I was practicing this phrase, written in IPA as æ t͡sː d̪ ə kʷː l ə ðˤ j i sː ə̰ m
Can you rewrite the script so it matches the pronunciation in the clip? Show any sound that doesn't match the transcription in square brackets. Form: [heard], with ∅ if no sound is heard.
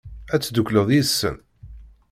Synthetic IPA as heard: æ t͡sː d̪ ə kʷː l ə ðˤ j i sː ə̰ [n]